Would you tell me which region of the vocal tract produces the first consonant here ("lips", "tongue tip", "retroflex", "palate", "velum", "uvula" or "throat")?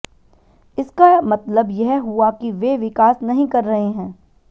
tongue tip